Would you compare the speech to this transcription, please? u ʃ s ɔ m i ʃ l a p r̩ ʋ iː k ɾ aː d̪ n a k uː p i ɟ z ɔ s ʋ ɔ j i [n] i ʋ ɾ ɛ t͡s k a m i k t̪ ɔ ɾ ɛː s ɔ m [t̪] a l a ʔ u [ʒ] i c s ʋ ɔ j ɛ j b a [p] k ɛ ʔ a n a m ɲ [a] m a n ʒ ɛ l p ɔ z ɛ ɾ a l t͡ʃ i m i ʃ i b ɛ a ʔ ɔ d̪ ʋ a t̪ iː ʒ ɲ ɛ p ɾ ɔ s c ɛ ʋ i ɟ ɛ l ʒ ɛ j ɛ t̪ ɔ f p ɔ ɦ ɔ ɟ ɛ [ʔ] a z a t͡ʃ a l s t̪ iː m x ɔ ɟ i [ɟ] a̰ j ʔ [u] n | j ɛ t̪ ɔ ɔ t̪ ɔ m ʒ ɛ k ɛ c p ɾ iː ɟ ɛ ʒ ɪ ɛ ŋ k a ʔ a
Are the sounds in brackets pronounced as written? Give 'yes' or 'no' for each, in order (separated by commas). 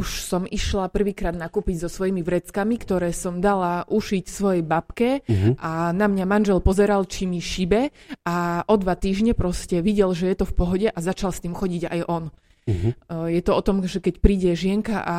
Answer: no, no, no, yes, yes, yes, yes, no